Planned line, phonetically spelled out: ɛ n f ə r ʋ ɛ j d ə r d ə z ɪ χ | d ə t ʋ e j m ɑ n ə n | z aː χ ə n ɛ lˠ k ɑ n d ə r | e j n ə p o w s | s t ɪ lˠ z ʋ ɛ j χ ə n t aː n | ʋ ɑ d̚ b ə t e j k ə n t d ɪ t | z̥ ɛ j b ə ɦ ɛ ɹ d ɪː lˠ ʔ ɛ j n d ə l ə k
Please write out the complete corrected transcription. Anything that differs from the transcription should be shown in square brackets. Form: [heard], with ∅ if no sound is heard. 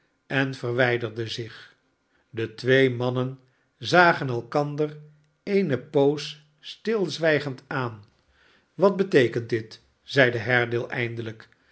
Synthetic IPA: ɛ n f ə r ʋ ɛ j d ə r d ə z ɪ χ | d ə t ʋ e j m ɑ n ə n | z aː χ ə n ɛ lˠ k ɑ n d ə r | e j n ə p o w s | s t ɪ lˠ z ʋ ɛ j χ ə n t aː n | ʋ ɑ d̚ b ə t e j k ə n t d ɪ t | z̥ ɛ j [d] ə ɦ ɛ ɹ d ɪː lˠ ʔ ɛ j n d ə l ə k